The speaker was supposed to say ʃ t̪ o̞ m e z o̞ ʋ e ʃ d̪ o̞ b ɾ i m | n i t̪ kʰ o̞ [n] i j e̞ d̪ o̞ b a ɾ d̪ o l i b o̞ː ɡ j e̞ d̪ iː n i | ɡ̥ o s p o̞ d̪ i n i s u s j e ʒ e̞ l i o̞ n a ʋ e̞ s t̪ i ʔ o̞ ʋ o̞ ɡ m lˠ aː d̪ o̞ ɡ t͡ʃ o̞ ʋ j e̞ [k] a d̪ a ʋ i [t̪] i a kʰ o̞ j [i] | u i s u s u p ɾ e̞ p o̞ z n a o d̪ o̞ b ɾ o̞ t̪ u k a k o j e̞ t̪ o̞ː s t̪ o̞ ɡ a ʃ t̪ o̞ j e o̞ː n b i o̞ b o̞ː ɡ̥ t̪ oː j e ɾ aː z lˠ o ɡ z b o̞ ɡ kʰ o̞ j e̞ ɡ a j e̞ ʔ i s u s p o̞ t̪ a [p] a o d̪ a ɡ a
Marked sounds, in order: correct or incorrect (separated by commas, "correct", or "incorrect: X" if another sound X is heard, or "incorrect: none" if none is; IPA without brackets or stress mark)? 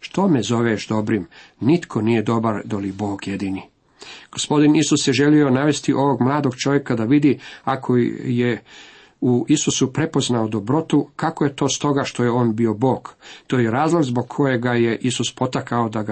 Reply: correct, correct, incorrect: d̪, incorrect: e, incorrect: k